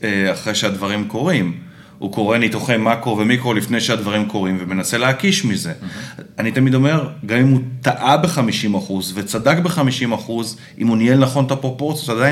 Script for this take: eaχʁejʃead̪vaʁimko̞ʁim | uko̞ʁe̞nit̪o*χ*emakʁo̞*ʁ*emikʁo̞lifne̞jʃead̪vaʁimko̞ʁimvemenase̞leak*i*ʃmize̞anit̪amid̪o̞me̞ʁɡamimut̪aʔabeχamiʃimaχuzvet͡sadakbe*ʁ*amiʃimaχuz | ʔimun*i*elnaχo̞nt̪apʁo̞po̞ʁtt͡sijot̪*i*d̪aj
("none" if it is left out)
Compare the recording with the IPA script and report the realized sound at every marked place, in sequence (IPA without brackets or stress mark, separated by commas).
χ, v, i, χ, i, a